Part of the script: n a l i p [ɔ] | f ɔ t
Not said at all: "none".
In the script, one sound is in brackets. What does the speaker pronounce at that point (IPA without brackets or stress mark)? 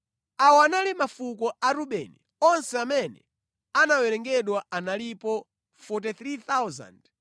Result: ɔ